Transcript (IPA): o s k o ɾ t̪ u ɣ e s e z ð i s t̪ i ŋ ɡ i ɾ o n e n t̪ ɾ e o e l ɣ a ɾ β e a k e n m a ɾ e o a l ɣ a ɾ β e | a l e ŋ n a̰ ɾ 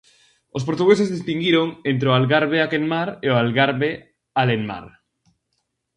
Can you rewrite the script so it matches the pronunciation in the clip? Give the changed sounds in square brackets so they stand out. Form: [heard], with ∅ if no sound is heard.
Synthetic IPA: o s [p] o ɾ t̪ u ɣ e s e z ð i s t̪ i ŋ ɡ i ɾ o [ŋ] e n t̪ ɾ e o [a] l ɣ a ɾ β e a k e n m a ɾ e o a l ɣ a ɾ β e | a l e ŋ [m] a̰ ɾ